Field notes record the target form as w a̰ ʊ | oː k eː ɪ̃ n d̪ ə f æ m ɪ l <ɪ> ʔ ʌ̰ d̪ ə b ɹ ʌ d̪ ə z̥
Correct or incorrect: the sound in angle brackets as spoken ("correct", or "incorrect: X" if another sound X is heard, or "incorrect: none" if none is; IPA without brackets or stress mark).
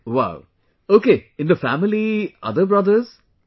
incorrect: i